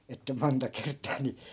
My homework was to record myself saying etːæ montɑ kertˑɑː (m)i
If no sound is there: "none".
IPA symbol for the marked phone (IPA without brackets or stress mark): n